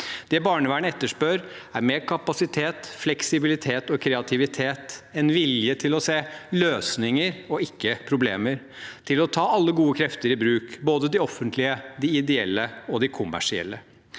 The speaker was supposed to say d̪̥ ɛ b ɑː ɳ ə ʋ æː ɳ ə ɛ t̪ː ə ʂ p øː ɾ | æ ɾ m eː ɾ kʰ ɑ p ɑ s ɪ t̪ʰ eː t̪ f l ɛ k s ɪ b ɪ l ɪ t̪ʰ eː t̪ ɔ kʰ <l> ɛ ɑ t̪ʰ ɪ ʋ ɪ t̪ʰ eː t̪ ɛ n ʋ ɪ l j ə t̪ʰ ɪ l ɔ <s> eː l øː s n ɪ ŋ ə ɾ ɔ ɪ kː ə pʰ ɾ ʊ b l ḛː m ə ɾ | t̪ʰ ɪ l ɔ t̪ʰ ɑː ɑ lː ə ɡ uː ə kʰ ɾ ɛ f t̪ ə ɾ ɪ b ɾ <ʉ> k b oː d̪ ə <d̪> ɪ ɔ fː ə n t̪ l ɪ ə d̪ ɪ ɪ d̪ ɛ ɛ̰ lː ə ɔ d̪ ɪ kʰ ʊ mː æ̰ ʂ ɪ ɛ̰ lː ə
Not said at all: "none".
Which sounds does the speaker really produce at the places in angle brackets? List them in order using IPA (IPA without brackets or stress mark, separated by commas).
ɾ, s, ʉː, d̪